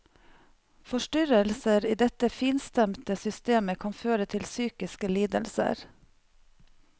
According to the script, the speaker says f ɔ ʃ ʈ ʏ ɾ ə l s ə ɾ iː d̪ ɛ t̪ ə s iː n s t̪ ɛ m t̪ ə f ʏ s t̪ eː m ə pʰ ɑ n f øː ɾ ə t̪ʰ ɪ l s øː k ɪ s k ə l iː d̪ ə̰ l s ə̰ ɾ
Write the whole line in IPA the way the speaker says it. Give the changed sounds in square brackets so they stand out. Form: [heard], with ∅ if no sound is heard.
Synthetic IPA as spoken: f ɔ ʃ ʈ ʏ ɾ ə l s ə ɾ iː d̪ ɛ t̪ ə [f] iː n s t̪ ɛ m t̪ ə [s] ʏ s t̪ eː m ə [kʰ] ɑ n f øː ɾ ə t̪ʰ ɪ l s [yː] k ɪ s k ə l iː d̪ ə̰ l s ə̰ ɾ

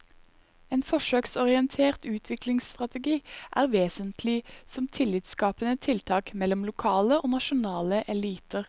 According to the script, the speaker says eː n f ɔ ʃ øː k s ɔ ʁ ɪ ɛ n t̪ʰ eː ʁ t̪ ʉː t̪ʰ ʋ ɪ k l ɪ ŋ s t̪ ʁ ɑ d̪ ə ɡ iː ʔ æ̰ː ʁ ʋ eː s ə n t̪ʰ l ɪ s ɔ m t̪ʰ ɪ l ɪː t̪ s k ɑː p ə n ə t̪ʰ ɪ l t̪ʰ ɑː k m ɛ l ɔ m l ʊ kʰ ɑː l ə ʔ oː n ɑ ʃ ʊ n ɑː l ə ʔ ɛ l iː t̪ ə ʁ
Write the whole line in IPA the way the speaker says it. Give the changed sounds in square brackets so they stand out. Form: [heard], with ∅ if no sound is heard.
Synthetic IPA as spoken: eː n f ɔ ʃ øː k s ɔ ʁ ɪ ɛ n t̪ʰ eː ʁ t̪ ʉː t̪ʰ ʋ ɪ k l ɪ ŋ s t̪ ʁ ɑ [t̪] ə ɡ iː ʔ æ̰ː ʁ ʋ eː s ə n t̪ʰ l ɪ s ɔ m t̪ʰ ɪ l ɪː t̪ s k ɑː p ə n ə t̪ʰ ɪ l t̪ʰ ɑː k m ɛ l ɔ m l ʊ kʰ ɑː l ə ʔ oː n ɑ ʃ ʊ n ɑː l ə ʔ ɛ l iː t̪ ə ʁ

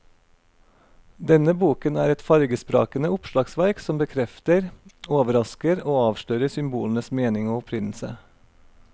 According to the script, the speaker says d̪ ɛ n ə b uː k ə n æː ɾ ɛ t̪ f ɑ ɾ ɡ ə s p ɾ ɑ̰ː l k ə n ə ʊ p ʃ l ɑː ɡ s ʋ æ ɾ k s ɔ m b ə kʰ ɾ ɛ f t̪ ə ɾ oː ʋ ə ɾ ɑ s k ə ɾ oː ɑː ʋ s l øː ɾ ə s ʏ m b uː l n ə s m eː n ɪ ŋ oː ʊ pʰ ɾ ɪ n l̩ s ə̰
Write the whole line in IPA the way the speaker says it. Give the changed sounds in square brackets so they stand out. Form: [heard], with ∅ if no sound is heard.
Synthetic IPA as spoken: d̪ ɛ n ə b uː k ə n æː ɾ ɛ t̪ f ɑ ɾ ɡ ə s p ɾ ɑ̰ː [∅] k ə n ə ʊ p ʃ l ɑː ɡ s ʋ æ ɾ k s ɔ m b ə kʰ ɾ ɛ f t̪ ə ɾ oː ʋ ə ɾ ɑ s k ə ɾ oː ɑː ʋ [ʃ] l øː ɾ ə s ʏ m b uː l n ə s m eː n ɪ ŋ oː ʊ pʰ ɾ ɪ n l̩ s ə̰

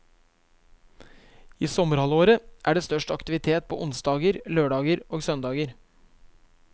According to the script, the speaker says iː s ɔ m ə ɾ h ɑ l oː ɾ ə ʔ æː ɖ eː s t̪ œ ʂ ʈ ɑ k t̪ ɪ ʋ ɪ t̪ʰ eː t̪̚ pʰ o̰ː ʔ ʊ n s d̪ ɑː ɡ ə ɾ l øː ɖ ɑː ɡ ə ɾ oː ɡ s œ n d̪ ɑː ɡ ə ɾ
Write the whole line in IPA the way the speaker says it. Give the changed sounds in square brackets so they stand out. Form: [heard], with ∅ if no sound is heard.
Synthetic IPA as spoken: iː s ɔ m ə ɾ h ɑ l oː ɾ ə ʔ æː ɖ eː s t̪ œ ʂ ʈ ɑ k t̪ ɪ ʋ ɪ t̪ʰ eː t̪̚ pʰ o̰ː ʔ ʊ n s d̪ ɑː ɡ ə ɾ l øː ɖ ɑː ɡ ə ɾ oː ɡ s œ n d̪ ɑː ɡ ə ɾ

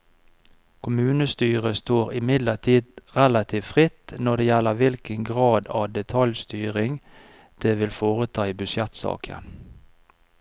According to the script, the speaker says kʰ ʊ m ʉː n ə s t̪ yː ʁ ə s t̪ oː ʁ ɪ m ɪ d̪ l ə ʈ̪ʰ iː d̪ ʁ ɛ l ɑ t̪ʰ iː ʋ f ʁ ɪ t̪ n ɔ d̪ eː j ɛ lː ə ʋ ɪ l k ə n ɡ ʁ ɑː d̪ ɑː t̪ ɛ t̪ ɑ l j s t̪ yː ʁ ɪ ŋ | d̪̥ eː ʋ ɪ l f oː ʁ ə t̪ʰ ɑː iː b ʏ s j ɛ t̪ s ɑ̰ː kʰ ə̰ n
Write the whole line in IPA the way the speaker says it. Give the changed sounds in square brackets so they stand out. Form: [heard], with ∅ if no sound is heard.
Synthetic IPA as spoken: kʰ ʊ m ʉː n ə s t̪ yː ʁ ə s t̪ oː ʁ ɪ m ɪ d̪ l ə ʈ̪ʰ iː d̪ ʁ ɛ l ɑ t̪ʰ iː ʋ f ʁ ɪ t̪ n ɔ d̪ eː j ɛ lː ə ʋ ɪ l k ə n ɡ ʁ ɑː d̪ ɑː [d̪] ɛ [t̪ʰ] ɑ l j s t̪ yː ʁ ɪ ŋ | d̪̥ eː ʋ ɪ l f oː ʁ ə t̪ʰ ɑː iː b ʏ s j ɛ t̪ s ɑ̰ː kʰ ə̰ n

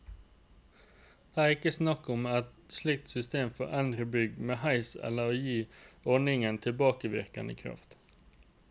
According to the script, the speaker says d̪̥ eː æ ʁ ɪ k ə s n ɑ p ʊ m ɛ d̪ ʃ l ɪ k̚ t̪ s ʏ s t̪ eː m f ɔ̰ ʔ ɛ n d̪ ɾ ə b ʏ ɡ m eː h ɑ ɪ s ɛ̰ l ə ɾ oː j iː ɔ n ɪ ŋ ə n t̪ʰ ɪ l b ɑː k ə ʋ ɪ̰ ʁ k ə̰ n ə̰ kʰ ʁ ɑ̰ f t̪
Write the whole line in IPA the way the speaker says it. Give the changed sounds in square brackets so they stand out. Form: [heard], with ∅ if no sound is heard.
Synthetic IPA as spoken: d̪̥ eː æ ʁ ɪ k ə s n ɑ [k] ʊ m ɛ [t̪] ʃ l ɪ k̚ t̪ s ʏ s t̪ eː m f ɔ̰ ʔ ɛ n d̪ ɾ ə b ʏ ɡ m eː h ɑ ɪ s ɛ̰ l ə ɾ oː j iː ɔ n ɪ ŋ ə n t̪ʰ ɪ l b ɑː k ə ʋ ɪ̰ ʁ k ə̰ n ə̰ kʰ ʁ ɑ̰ f t̪

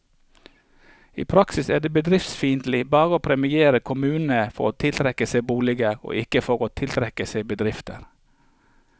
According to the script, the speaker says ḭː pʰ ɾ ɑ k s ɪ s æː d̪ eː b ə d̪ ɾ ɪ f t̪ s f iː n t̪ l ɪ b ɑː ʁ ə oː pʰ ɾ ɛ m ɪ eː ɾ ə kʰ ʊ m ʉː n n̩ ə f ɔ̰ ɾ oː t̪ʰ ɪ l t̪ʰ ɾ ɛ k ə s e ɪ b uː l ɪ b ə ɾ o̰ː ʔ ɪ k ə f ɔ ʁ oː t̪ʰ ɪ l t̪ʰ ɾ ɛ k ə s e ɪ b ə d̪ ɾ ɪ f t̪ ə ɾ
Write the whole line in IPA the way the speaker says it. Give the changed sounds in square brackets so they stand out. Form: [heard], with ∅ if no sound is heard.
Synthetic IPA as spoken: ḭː pʰ ɾ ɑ k s ɪ s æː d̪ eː b ə d̪ ɾ ɪ f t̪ s f iː n t̪ l ɪ b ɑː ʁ ə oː pʰ ɾ ɛ m ɪ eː ɾ ə kʰ ʊ m ʉː n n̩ ə f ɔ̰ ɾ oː t̪ʰ ɪ l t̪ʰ ɾ ɛ k ə s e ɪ b uː l ɪ [ɡ] ə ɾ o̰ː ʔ ɪ k ə f ɔ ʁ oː t̪ʰ ɪ l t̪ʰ ɾ ɛ k ə s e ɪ b ə d̪ ɾ ɪ f t̪ ə ɾ

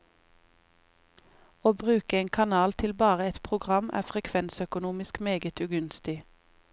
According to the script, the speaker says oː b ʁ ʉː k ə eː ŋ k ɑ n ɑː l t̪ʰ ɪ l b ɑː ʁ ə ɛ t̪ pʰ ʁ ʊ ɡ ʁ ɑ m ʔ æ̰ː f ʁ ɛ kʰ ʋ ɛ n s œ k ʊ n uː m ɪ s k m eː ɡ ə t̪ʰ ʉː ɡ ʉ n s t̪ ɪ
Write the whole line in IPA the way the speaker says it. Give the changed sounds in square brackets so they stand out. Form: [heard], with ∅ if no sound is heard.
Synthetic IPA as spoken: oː b ʁ ʉː k ə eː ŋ [kʰ] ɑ n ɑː l t̪ʰ ɪ l b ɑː ʁ ə ɛ t̪ pʰ ʁ ʊ ɡ ʁ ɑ m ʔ æ̰ː f ʁ ɛ kʰ ʋ ɛ n s œ k ʊ n uː m ɪ s k m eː ɡ ə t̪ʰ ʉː ɡ ʉ n s t̪ ɪ

